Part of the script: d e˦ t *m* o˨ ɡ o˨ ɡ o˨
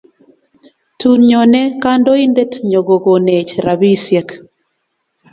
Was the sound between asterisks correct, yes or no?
no